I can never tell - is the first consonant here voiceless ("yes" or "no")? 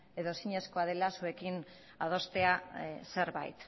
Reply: no